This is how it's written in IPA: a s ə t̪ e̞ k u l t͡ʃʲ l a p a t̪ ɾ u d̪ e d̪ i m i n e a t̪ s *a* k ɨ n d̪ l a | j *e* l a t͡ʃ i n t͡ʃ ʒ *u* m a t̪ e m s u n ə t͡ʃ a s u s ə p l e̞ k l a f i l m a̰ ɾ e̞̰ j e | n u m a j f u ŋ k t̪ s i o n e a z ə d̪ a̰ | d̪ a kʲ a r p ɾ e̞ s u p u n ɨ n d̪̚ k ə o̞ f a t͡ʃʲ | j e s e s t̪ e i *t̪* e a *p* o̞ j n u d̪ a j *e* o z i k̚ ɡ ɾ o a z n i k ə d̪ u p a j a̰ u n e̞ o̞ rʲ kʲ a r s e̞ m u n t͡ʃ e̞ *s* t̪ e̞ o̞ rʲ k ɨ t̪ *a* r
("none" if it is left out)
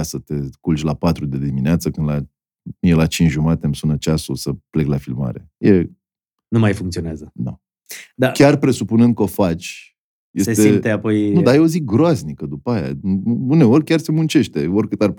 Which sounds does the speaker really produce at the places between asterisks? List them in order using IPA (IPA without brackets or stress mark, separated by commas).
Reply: ə, e, u, t̪, p, e, ʃ, a